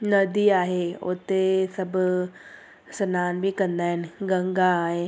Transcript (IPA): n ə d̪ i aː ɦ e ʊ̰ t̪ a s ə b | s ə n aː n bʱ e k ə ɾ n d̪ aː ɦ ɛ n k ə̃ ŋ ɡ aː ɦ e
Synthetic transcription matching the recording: n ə d̪ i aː ɦ e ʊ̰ t̪ e s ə b | s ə n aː n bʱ i k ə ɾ n d̪ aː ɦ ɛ n ɡ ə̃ ŋ ɡ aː ɦ e